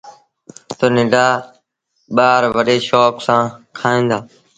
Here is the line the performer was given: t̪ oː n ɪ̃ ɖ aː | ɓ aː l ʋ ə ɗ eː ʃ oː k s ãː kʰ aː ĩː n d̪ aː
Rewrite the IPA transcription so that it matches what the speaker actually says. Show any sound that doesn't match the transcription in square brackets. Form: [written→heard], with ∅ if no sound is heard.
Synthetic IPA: t̪ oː n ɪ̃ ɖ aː | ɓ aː [l→ɾ] ʋ ə ɗ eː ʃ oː k s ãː kʰ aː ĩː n d̪ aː